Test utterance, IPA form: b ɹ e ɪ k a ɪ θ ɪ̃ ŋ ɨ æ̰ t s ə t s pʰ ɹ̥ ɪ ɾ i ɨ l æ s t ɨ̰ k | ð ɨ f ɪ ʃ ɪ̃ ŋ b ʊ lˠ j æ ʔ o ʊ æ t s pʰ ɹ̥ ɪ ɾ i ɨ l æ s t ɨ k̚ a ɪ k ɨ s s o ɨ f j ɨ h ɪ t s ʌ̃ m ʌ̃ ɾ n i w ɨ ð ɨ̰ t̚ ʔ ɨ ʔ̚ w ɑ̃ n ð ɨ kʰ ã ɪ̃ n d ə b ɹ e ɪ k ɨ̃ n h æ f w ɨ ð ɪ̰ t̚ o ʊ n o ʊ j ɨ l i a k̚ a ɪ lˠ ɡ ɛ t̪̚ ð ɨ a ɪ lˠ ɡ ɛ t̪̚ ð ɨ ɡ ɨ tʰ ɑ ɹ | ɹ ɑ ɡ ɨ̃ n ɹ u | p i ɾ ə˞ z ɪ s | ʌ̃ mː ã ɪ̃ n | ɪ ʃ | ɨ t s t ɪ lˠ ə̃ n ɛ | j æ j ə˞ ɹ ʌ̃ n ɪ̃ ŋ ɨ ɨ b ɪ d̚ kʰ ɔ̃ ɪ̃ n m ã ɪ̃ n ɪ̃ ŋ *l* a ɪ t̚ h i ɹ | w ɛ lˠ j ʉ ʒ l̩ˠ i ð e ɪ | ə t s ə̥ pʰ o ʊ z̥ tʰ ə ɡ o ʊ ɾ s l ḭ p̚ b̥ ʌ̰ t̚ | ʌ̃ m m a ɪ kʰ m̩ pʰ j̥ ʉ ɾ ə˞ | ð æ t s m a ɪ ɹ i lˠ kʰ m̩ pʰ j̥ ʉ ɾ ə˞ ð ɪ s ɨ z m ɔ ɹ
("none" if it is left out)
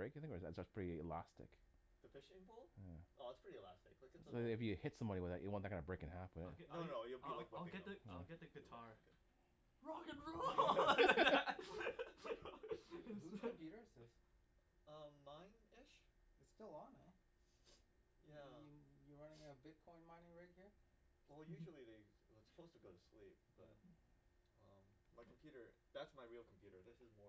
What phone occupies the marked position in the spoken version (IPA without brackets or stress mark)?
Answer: ɹ